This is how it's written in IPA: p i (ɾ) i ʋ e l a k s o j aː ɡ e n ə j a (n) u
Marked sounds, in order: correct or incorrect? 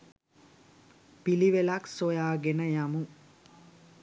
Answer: incorrect: l, incorrect: m

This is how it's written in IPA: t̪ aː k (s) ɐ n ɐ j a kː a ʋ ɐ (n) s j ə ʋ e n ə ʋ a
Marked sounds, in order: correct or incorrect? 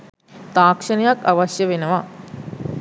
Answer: incorrect: ʂ, incorrect: none

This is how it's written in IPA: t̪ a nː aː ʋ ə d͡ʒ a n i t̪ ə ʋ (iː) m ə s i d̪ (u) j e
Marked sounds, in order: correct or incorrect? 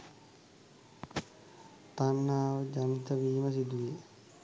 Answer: correct, correct

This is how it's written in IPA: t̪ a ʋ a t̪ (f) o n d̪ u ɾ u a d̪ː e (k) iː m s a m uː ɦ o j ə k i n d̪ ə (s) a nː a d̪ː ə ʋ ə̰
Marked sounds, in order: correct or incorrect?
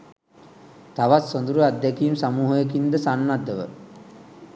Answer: incorrect: s, correct, correct

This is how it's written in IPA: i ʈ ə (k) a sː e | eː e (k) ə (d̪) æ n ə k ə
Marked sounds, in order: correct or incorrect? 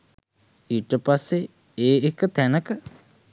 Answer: incorrect: p, correct, incorrect: t̪

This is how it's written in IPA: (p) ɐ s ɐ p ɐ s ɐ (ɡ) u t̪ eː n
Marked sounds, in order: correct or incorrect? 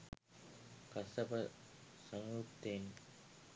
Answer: incorrect: k, incorrect: ŋ

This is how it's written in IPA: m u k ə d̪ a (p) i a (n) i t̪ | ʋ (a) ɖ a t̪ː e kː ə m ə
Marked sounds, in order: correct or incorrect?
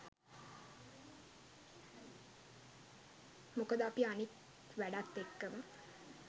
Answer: correct, correct, incorrect: æ

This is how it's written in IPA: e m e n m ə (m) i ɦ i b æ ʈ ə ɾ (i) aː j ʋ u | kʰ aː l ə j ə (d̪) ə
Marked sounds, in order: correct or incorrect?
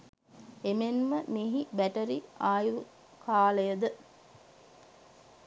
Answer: correct, correct, correct

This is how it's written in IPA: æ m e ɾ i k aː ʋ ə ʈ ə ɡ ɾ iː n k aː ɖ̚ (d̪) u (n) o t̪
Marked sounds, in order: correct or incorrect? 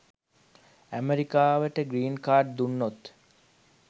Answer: correct, incorrect: nː

